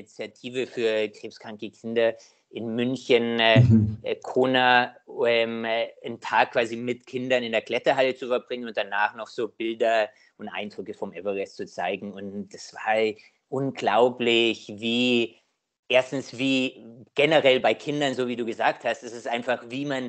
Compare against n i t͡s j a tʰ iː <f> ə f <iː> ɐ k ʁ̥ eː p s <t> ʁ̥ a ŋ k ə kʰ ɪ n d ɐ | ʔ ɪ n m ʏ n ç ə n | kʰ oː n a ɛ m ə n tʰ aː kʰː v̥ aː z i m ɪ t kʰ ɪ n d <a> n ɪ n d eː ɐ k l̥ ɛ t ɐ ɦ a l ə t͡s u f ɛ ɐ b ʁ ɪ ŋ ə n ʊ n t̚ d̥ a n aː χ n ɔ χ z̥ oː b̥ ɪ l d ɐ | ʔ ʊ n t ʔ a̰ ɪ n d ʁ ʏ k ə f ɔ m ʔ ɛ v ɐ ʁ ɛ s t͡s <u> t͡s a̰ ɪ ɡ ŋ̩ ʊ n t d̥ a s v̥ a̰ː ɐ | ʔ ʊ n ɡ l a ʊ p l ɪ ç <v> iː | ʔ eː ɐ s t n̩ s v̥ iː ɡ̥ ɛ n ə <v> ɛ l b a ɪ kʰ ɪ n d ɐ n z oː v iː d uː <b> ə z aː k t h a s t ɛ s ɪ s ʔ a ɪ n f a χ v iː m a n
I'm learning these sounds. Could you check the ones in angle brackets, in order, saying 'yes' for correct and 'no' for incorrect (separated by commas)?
no, no, no, no, yes, yes, no, no